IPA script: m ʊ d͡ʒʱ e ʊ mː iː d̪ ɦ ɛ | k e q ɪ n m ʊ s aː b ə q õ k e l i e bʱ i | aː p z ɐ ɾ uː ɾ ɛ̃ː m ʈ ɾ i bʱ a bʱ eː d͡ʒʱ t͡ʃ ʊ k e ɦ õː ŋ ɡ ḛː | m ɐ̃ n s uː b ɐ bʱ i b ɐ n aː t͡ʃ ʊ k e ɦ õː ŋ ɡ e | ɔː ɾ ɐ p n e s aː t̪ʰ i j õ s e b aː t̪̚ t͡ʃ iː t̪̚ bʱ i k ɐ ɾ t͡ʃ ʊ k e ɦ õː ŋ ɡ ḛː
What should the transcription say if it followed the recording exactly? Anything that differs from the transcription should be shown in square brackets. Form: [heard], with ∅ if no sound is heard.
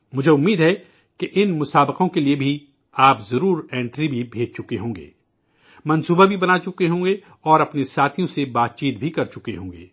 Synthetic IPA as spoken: m ʊ d͡ʒʱ e ʊ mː iː d̪ ɦ ɛ | k e [ʔ] ɪ n m ʊ s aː b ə q õ k e l i e bʱ i | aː p z ɐ ɾ uː ɾ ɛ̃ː [ɳ] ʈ ɾ i bʱ [i] bʱ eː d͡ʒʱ t͡ʃ ʊ k e ɦ õː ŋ ɡ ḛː | m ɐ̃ n s uː b [a] bʱ i b ɐ n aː t͡ʃ ʊ k e ɦ õː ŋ ɡ e | ɔː ɾ ɐ p n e s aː t̪ʰ i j õ s e b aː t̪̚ t͡ʃ iː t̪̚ bʱ i k ɐ ɾ t͡ʃ ʊ k e ɦ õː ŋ ɡ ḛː

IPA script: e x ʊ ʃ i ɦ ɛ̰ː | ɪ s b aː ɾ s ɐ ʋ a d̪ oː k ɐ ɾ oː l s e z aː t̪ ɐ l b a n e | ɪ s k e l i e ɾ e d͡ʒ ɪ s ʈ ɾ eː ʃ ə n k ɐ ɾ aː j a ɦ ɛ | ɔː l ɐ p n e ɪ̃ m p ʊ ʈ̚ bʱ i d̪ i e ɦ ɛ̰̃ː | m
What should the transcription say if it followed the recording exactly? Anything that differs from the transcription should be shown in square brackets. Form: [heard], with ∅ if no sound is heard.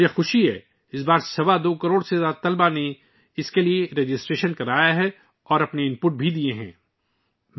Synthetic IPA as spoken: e x ʊ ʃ i ɦ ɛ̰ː | ɪ s b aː ɾ s ɐ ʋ a d̪ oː k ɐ ɾ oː [ɽ] s e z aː t̪ ɐ l b a n e | ɪ s k e l i e ɾ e d͡ʒ ɪ s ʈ ɾ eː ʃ ə n k ɐ ɾ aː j a ɦ ɛ | ɔː [ɾ] ɐ p n e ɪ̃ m p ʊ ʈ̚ bʱ i d̪ i e ɦ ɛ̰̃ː | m

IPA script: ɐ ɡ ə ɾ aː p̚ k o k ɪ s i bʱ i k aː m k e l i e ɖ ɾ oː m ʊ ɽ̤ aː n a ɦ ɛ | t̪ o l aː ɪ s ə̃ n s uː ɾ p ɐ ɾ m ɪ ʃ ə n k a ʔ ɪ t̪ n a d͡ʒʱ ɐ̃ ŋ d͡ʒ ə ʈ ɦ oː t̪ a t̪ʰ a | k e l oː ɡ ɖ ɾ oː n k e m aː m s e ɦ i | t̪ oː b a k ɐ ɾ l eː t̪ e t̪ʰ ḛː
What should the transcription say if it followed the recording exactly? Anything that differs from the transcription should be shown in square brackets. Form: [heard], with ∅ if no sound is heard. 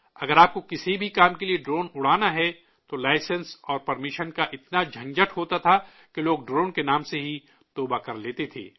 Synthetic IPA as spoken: ɐ ɡ ə ɾ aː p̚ k o k ɪ s i bʱ i k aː m k e l i e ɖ ɾ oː [n] ʊ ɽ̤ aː n a ɦ ɛ | t̪ o l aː ɪ s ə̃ n s [ɔː] ɾ p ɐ ɾ m ɪ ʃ ə n k a ʔ ɪ t̪ n a d͡ʒʱ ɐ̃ ŋ d͡ʒ ə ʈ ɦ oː t̪ a t̪ʰ a | k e l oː ɡ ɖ ɾ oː n k e [n] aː m s e ɦ i | t̪ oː b a k ɐ ɾ l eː t̪ e t̪ʰ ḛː

